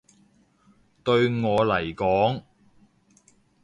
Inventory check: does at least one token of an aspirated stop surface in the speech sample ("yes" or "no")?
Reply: no